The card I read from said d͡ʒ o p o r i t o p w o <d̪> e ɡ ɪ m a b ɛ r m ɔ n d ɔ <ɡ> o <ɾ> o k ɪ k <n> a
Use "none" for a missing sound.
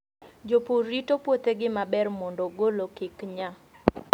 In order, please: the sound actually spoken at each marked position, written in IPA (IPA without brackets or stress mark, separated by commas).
t̪, ɡ, l, ɲ